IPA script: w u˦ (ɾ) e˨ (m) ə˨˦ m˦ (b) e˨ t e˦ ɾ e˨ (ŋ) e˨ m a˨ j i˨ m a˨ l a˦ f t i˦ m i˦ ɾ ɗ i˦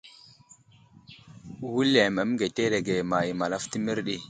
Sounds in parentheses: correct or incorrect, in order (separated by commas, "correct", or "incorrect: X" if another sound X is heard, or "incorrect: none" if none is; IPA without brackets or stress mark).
incorrect: l, correct, incorrect: ɡ, incorrect: ɡ